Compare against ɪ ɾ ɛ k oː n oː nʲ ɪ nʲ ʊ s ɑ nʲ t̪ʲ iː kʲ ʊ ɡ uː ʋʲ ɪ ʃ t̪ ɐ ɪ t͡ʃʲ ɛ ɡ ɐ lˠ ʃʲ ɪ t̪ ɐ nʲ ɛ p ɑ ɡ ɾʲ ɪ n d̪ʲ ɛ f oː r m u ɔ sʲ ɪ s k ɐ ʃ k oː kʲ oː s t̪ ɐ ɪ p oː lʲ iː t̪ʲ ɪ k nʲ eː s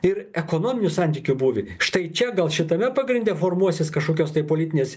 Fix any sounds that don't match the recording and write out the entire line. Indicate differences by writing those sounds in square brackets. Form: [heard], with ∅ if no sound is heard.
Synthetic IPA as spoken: ɪ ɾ ɛ k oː n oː [mʲ] ɪ nʲ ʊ s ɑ nʲ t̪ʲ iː kʲ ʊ [b] uː ʋʲ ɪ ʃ t̪ ɐ ɪ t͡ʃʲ ɛ ɡ ɐ lˠ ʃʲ ɪ t̪ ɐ [mʲ] ɛ p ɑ ɡ ɾʲ ɪ n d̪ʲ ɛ f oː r m u ɔ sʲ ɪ s k ɐ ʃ k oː kʲ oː s t̪ ɐ ɪ p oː lʲ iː t̪ʲ ɪ [∅] nʲ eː s